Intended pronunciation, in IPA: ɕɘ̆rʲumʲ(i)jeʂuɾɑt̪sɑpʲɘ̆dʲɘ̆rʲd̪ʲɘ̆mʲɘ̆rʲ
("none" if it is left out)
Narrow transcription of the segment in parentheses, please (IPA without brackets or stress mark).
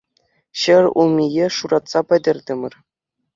i